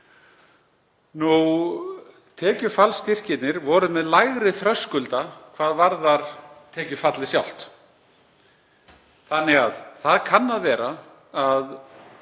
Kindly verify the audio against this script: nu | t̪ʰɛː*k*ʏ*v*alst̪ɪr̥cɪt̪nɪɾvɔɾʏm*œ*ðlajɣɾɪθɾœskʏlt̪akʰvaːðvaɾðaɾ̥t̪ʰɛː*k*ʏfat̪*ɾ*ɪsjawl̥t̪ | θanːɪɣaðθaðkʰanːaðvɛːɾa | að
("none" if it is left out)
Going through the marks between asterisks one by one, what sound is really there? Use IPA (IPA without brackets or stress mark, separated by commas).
c, f, ɛ, c, l